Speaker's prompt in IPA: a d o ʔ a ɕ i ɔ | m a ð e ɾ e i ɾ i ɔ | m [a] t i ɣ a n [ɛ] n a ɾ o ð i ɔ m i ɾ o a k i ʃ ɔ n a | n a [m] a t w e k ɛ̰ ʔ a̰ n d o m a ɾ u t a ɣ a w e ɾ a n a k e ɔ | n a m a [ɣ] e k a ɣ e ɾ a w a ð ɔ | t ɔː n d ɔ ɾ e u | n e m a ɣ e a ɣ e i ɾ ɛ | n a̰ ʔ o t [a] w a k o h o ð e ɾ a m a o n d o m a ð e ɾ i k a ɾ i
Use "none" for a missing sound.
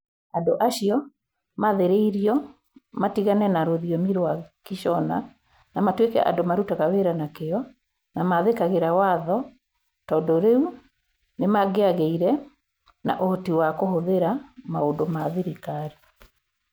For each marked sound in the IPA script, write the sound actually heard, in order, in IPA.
a, ɛ, m, ð, i

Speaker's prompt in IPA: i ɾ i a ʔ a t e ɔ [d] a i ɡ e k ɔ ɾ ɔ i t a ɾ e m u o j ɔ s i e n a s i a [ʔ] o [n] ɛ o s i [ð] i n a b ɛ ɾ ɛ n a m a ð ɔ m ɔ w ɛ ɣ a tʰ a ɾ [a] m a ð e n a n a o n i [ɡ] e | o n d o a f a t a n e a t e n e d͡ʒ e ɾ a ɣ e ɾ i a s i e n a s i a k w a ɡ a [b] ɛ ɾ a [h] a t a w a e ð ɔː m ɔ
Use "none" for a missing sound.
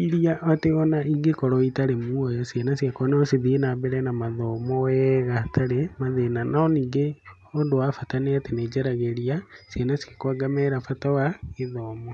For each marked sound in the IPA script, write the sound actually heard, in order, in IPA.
n, k, n, ð, e, ɡ, m, f

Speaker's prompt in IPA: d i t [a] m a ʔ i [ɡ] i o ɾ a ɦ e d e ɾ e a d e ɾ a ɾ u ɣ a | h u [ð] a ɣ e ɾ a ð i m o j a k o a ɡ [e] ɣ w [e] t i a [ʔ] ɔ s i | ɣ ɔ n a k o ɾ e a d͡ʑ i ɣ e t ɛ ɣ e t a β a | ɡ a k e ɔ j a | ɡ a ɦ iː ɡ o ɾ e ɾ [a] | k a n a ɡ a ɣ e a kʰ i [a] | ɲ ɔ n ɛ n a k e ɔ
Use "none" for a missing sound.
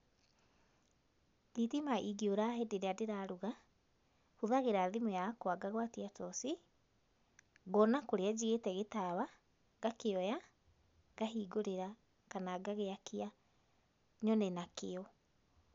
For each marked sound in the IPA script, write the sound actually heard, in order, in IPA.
i, ɡ, ð, a, a, t, a, a

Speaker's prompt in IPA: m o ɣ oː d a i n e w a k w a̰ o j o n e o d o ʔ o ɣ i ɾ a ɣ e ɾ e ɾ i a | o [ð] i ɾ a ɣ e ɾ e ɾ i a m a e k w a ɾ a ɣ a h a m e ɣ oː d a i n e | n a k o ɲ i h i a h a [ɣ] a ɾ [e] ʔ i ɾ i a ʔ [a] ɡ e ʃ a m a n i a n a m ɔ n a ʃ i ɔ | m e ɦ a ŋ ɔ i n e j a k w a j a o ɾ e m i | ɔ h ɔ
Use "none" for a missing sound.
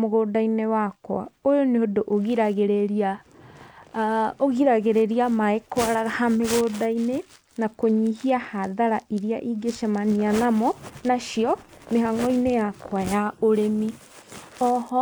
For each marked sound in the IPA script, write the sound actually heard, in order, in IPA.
ɣ, ð, a, i

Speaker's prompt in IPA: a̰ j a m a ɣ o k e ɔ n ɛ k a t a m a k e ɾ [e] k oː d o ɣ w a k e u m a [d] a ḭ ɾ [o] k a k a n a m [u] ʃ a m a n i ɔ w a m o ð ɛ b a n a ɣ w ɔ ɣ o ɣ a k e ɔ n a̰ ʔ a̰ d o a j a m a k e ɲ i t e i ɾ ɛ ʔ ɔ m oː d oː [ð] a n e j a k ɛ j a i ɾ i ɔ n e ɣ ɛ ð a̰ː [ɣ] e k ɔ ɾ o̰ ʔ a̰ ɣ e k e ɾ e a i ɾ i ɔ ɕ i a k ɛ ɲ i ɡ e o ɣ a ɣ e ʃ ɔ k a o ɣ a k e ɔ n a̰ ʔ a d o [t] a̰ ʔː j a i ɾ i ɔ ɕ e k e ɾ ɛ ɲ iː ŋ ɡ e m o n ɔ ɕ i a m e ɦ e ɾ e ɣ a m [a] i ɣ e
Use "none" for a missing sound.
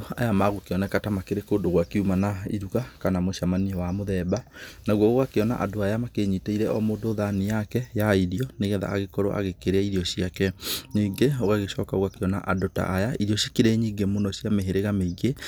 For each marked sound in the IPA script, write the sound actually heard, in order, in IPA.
e, n, u, o, ð, ɣ, t, e

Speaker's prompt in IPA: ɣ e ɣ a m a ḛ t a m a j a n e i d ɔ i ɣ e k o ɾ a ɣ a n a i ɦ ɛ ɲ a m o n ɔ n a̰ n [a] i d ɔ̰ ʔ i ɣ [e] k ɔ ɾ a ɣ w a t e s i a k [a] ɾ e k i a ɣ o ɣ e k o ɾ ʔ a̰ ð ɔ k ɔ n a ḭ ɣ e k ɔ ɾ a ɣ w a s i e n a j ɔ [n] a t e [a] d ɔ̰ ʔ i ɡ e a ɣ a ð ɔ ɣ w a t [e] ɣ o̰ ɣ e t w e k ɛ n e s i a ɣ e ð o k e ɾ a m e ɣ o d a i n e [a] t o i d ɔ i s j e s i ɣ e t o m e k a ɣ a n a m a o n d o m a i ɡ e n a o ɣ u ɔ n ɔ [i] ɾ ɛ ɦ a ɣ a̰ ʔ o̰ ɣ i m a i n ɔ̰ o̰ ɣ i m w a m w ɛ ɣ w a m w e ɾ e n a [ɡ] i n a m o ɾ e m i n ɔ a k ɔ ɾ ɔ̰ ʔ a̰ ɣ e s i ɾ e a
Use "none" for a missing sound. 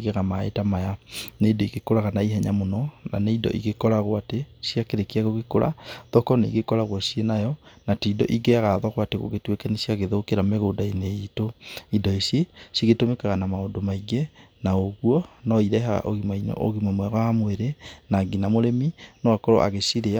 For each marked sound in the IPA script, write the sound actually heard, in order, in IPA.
e, e, e, n, i, e, i, i, ɡ

